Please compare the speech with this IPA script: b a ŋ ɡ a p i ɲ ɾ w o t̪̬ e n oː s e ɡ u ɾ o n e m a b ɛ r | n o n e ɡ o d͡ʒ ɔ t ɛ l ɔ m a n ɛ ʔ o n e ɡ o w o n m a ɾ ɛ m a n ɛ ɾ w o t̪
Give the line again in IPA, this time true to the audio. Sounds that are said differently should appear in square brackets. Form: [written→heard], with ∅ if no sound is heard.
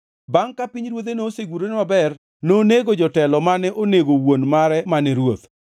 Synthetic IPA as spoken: b a ŋ [ɡ→k] a p i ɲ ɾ w o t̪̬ e n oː s e ɡ u ɾ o n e m a b ɛ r | n o n e ɡ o d͡ʒ ɔ t ɛ l ɔ m a n ɛ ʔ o n e ɡ o w o n m a ɾ ɛ m a n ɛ ɾ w o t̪